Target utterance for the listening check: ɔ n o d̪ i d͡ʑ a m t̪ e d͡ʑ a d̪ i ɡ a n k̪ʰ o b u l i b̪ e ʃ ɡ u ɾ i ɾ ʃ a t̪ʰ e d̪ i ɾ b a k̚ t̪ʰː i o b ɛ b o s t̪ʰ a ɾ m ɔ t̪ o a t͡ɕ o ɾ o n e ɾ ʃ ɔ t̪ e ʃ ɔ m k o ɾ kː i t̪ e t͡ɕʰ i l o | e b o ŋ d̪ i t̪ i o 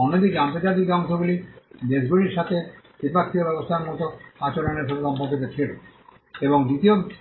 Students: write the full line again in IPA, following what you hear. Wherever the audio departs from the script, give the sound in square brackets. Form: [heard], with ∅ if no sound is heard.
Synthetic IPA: ɔ n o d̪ i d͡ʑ a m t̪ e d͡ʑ a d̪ i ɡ a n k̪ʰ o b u l i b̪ e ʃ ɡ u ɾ i ɾ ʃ a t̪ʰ e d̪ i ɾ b a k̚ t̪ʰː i o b ɛ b o s t̪ʰ a ɾ m ɔ t̪ o a t͡ɕ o ɾ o n e ɾ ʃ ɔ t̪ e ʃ ɔ m [p] o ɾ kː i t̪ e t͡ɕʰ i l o | e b o ŋ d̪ i t̪ i o